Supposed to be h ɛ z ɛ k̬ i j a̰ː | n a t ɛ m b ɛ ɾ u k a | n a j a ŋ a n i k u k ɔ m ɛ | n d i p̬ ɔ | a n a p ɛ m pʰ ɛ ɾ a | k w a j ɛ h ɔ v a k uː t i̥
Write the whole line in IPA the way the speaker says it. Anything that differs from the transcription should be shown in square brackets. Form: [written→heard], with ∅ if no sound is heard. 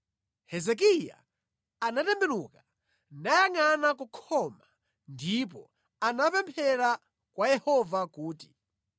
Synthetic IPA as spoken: h ɛ z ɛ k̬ i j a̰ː | n a t ɛ m b ɛ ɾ u k a | n a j a ŋ a n [i→a] k u [k→kʰ] ɔ m [ɛ→a] | n d i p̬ ɔ | a n a p ɛ m pʰ ɛ ɾ a | k w a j ɛ h ɔ v a k uː t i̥